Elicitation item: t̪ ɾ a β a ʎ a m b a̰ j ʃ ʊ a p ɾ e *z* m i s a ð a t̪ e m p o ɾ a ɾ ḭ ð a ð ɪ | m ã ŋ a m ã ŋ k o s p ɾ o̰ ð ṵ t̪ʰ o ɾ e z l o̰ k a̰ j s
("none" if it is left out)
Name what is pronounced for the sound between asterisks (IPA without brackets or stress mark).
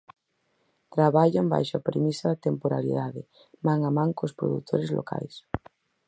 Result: none